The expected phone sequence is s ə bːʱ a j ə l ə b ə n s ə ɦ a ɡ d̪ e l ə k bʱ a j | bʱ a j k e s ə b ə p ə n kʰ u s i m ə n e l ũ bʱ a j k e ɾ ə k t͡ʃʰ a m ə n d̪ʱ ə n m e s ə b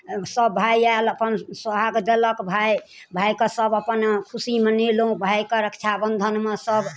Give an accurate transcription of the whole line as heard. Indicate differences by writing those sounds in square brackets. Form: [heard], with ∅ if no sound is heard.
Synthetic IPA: s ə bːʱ a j [a] l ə [p] ə n s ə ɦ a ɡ d̪ e l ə k bʱ a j | bʱ a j k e s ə b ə p ə n kʰ u s i m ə n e l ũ bʱ a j k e ɾ ə k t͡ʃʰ a [b] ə n d̪ʱ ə n m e s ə b